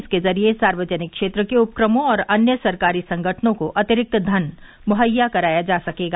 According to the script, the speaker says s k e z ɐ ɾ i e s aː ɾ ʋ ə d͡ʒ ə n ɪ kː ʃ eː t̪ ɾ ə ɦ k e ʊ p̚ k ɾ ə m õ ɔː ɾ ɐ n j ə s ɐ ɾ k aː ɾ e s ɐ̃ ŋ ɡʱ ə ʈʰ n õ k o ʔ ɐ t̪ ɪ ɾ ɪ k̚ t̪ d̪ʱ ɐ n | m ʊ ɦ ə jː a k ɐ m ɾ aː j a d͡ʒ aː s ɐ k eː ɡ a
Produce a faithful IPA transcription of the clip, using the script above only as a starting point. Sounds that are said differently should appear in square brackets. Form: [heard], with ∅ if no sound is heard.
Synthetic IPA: s k e z ɐ ɾ i e s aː ɾ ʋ ə d͡ʒ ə n ɪ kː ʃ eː t̪ ɾ ə [∅] k e ʊ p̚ k ɾ ə m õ ɔː ɾ ɐ n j ə s ɐ ɾ k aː ɾ [i] s ɐ̃ ŋ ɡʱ ə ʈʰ n õ k o ʔ ɐ t̪ ɪ ɾ ɪ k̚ t̪ d̪ʱ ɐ n | m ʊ ɦ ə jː a k ɐ [∅] ɾ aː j a d͡ʒ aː s ɐ k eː ɡ a